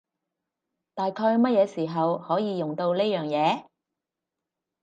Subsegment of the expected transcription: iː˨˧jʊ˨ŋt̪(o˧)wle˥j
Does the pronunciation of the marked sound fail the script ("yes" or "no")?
no